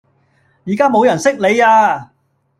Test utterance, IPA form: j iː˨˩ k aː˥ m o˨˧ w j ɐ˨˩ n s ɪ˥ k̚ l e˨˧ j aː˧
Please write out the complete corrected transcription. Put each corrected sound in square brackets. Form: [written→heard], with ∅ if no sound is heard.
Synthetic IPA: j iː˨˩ k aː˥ m o˨˧ w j ɐ˨˩ n s ɪ˥ k̚ l e˨˧ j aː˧